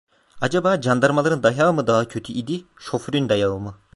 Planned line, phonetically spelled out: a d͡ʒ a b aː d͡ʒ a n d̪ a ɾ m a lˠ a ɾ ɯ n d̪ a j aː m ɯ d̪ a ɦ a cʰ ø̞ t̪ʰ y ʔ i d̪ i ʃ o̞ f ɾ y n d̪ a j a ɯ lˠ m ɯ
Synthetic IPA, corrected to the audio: a d͡ʒ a b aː d͡ʒ a n d̪ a ɾ m a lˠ a ɾ ɯ n d̪ a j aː m ɯ d̪ a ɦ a cʰ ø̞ t̪ʰ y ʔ i d̪ i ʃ o̞ f ɾ y n d̪ a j a ɯ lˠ m ɯ